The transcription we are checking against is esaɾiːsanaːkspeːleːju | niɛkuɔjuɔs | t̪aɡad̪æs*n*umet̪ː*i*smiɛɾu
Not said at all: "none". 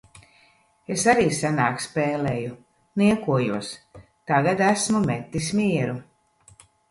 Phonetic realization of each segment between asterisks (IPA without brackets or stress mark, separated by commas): m, i